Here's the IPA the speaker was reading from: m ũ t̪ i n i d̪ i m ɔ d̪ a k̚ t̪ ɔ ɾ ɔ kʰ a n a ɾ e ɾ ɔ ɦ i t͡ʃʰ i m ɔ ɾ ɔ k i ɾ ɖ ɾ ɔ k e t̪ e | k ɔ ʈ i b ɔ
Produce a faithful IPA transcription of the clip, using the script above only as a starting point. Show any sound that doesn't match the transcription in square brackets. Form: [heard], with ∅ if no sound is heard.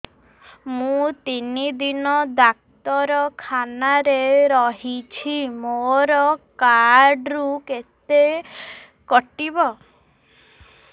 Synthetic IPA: m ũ t̪ i n i d̪ i [n] ɔ d̪ a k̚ t̪ ɔ ɾ ɔ kʰ a n a ɾ e ɾ ɔ ɦ i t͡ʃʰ i m [o] ɾ ɔ k [a] ɾ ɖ ɾ [u] k e t̪ e | k ɔ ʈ i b ɔ